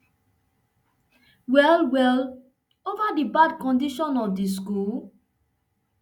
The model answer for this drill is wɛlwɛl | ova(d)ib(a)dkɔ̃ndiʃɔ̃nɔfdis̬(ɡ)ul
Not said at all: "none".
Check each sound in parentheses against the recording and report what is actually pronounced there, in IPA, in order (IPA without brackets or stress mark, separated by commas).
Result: d, a, k